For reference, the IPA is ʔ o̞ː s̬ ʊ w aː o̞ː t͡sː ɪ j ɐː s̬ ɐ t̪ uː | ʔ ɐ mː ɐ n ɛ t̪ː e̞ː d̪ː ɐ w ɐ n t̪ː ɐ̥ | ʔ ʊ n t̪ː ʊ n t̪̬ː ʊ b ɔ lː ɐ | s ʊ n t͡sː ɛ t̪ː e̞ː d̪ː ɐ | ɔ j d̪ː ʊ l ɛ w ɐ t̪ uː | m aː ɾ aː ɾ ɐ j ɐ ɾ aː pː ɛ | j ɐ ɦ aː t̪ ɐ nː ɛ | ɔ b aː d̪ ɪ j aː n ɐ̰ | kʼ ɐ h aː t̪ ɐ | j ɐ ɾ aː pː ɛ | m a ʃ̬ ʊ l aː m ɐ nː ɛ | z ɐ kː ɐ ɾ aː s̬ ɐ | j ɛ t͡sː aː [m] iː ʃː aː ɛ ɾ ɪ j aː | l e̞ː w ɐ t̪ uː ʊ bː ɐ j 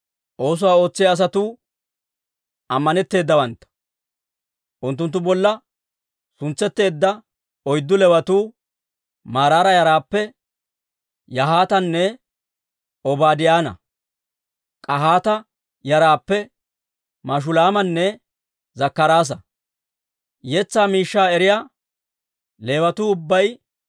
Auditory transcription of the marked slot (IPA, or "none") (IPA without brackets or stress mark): m